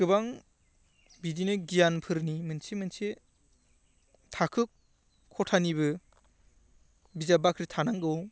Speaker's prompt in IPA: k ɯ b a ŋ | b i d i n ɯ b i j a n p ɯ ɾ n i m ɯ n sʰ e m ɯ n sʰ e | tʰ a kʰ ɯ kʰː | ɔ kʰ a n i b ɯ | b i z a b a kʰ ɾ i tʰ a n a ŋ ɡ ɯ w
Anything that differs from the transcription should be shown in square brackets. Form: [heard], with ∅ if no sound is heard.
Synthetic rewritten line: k ɯ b a ŋ | b i d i n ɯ [ɡ] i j a n [pʰ] ɯ ɾ n i m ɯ n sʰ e m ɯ n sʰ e | tʰ a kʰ ɯ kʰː | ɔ [tʰ] a n i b ɯ | b i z a b a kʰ ɾ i tʰ a n a ŋ ɡ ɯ w